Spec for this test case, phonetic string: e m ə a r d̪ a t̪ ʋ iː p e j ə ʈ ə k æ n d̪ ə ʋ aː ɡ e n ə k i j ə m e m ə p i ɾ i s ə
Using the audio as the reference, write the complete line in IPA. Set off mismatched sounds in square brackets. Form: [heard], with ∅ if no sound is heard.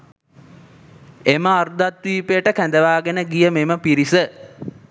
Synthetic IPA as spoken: e m ə a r d̪ a t̪ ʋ iː p e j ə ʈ ə k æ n d̪ ə ʋ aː ɡ e n ə [ɡ] i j ə m e m ə p i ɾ i s ə